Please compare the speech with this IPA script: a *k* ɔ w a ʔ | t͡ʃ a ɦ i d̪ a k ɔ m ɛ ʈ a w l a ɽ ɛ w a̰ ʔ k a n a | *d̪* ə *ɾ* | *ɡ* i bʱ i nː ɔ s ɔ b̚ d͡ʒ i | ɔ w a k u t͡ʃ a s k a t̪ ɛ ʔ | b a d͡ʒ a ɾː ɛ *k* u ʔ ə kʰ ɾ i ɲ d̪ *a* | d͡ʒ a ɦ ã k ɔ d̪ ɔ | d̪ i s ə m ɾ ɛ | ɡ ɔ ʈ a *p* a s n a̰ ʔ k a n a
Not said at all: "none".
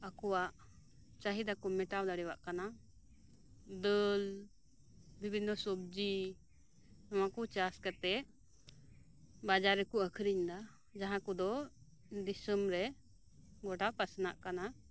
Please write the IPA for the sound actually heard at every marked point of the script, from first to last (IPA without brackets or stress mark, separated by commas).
k, d̪, l, b, k, a, p